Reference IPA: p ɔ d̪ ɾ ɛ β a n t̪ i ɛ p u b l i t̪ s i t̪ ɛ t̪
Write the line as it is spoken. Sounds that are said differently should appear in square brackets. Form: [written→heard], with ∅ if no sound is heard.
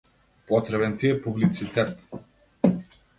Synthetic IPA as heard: p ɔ [d̪→t̪] ɾ ɛ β [a→ɛ] n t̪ i ɛ p u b l i t̪ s i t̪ ɛ t̪